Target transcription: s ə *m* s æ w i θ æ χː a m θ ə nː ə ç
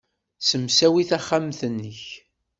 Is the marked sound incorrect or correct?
correct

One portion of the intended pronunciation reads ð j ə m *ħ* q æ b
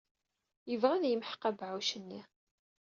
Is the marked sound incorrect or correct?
correct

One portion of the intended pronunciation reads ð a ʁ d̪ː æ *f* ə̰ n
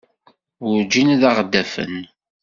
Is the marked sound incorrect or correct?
correct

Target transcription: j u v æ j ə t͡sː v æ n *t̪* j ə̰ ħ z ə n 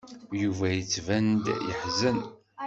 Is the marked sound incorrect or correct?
incorrect: d̪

